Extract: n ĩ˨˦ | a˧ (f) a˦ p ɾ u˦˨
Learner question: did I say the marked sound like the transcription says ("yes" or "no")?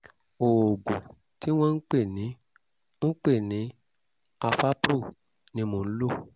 yes